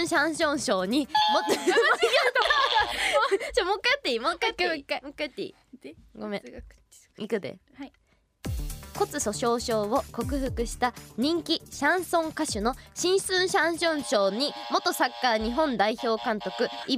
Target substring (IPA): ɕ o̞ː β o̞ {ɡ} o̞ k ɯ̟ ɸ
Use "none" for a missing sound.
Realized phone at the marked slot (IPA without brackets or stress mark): k